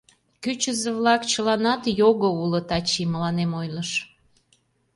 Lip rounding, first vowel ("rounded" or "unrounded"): rounded